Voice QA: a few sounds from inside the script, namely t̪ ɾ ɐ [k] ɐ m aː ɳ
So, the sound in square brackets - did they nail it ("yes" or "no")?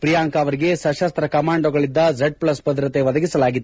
yes